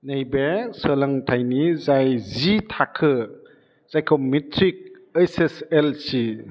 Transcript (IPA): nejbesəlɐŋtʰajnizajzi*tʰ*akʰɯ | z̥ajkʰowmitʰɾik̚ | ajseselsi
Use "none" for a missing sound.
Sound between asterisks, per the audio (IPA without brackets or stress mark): tʰ